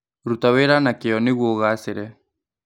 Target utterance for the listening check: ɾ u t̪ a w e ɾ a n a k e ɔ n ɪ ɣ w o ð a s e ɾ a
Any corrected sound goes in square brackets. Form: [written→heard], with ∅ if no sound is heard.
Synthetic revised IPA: ɾ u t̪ a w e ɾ a n a k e ɔ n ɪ ɣ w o [ð→ɣ] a s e ɾ [a→ɛ]